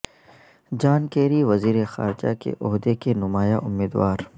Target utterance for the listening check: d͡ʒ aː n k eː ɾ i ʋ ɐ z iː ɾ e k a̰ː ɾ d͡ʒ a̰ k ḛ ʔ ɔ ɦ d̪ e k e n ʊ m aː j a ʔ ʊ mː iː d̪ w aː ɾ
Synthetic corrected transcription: d͡ʒ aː n k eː ɾ i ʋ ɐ z iː ɾ e x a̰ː ɾ d͡ʒ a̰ k ḛ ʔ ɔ ɦ d̪ e k e n ʊ m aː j a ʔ ʊ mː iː d̪ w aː ɾ